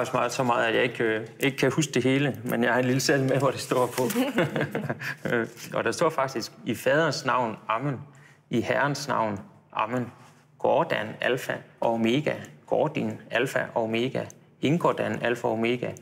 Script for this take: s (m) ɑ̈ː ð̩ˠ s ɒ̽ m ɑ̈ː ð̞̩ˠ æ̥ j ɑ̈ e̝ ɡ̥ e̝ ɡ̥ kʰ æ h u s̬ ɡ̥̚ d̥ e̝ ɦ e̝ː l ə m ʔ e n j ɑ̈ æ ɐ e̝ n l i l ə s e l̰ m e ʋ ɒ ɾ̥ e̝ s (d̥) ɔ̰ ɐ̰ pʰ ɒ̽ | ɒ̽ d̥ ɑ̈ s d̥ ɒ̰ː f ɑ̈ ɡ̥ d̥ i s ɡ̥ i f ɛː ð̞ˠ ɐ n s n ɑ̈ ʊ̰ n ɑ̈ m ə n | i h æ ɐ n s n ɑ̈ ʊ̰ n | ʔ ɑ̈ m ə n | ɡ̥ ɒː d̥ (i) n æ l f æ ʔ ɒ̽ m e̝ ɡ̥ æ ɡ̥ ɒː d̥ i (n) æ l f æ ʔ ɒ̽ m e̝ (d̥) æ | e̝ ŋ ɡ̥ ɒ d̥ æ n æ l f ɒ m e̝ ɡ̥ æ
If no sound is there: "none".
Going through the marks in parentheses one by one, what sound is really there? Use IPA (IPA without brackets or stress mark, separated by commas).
m, d̥, æ, n, ɡ̥